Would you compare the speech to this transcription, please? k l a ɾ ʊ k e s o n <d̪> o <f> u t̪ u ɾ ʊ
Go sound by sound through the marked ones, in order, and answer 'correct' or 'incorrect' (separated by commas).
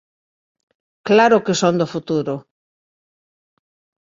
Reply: correct, correct